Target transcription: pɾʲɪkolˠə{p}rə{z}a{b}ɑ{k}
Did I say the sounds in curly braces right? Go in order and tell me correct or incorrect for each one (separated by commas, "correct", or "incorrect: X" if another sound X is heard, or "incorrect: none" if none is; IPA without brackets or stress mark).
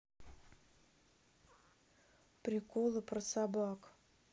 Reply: correct, incorrect: s, correct, correct